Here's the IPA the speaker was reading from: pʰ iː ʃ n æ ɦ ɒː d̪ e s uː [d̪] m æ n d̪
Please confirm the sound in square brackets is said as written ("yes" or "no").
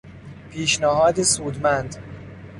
yes